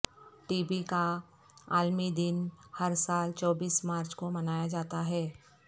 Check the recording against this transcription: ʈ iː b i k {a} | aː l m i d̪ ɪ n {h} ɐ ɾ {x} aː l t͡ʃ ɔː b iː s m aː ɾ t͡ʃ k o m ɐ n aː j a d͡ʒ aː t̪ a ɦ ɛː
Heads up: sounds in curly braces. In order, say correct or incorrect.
correct, correct, incorrect: s

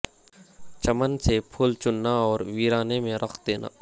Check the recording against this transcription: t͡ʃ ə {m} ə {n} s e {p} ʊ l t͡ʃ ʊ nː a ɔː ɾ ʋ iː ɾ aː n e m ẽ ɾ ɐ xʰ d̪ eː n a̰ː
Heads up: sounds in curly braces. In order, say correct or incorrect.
correct, correct, incorrect: pʰ

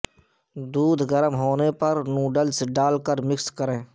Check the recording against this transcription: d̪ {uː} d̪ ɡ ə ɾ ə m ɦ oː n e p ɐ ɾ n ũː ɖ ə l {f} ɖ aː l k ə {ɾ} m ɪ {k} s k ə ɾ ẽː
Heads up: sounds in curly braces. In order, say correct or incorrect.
correct, incorrect: s, correct, correct

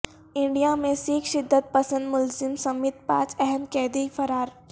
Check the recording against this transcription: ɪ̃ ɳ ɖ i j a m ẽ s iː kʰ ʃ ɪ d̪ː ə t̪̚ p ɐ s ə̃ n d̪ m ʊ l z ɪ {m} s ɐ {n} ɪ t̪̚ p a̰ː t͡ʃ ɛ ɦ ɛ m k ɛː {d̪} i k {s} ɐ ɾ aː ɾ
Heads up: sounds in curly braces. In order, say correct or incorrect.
correct, incorrect: m, correct, incorrect: f

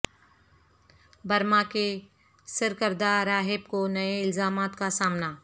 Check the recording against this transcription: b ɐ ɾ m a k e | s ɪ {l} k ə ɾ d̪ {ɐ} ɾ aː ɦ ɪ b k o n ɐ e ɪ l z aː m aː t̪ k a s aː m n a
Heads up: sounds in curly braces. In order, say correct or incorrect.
incorrect: ɾ, incorrect: a

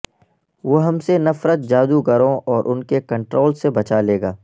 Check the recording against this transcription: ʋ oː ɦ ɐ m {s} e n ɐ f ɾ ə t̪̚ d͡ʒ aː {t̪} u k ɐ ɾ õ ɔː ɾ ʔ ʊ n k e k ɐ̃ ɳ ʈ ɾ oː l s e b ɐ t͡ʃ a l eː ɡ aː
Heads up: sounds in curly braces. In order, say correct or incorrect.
correct, incorrect: d̪

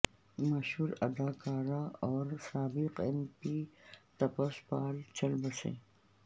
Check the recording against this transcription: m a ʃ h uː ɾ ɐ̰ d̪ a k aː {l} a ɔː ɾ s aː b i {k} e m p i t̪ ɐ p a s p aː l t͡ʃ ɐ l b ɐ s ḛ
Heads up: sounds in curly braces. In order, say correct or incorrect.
incorrect: ɾ, incorrect: q

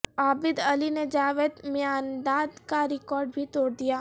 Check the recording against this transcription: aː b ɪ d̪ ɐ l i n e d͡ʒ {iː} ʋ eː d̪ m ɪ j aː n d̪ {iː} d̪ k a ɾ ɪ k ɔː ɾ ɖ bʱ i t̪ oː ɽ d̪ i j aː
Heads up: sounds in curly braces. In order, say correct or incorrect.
incorrect: aː, incorrect: aː

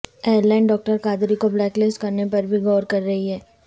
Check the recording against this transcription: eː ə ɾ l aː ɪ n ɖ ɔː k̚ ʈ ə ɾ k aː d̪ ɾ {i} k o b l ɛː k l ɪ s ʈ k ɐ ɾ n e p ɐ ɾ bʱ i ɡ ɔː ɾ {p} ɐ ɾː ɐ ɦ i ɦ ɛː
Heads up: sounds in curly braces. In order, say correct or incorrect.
correct, incorrect: k

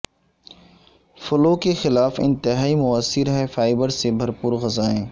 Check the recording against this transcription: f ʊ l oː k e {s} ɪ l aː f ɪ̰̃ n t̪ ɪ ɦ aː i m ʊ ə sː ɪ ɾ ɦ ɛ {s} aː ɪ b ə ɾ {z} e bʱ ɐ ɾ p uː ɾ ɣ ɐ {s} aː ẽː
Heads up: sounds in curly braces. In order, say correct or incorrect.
incorrect: x, incorrect: f, incorrect: s, incorrect: z

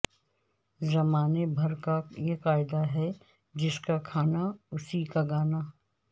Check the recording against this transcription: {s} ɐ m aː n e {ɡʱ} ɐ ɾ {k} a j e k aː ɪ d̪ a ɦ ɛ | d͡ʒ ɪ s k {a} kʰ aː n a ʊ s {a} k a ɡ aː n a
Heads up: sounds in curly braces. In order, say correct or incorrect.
incorrect: z, incorrect: bʱ, correct, correct, incorrect: i

